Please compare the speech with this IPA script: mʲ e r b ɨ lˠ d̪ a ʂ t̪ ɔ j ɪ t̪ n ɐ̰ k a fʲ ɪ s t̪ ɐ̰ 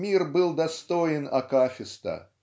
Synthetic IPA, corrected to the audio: mʲ i r b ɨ lˠ d̪ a s t̪ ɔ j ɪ n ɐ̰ k a fʲ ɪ s t̪ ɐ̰